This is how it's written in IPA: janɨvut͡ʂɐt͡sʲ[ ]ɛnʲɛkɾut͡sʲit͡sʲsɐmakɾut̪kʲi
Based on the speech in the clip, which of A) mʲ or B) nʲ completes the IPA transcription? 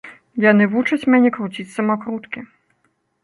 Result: A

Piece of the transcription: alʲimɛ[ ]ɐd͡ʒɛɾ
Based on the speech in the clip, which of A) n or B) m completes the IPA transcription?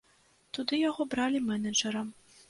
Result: A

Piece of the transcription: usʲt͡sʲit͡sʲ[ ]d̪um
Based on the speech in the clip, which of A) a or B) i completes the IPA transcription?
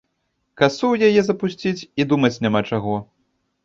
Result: B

